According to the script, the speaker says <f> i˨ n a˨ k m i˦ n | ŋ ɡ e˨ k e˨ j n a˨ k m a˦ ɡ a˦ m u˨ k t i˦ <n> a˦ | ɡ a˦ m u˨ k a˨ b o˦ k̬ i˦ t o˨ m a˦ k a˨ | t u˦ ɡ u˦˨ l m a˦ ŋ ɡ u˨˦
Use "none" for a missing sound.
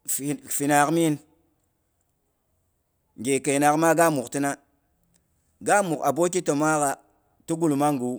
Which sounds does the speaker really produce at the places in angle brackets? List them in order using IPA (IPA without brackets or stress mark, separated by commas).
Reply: f, n